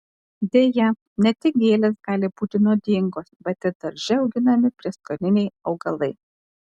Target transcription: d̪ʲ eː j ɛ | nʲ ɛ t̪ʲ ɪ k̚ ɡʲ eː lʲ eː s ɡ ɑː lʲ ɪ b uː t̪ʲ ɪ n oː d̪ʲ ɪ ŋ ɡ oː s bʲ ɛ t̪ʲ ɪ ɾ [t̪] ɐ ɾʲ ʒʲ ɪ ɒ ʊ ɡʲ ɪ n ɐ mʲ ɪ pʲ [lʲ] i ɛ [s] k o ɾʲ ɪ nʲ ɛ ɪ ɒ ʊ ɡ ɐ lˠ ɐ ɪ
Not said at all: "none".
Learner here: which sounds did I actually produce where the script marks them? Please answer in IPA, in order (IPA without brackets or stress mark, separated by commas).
d̪, ɾʲ, s